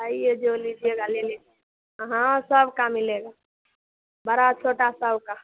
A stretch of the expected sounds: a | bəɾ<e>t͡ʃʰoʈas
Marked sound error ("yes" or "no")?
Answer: yes